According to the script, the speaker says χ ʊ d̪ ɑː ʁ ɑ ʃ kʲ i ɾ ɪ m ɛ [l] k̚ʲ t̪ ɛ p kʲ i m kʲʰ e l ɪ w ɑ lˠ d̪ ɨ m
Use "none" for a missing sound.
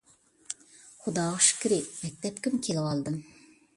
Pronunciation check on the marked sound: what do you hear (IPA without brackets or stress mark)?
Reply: none